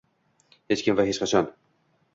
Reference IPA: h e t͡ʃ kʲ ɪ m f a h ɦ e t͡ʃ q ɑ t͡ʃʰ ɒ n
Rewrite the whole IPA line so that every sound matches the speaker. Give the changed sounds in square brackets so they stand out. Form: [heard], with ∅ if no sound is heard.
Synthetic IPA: h e t͡ʃ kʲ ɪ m [v] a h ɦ e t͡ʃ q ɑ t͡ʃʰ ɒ n